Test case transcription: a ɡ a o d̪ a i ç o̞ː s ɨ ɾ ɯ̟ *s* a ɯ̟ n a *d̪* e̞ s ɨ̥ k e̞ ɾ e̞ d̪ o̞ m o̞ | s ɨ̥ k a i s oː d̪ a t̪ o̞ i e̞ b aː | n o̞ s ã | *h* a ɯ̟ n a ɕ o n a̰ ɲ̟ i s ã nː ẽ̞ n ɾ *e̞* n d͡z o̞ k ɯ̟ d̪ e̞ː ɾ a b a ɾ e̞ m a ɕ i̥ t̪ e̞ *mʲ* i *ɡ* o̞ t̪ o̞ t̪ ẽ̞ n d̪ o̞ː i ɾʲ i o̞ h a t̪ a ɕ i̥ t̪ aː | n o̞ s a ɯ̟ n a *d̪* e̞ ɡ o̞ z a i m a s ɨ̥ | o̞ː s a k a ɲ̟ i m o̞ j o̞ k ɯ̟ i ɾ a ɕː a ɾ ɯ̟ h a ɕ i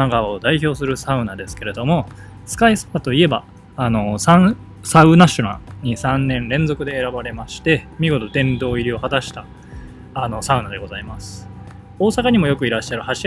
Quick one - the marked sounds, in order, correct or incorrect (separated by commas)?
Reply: correct, correct, incorrect, incorrect, correct, correct, correct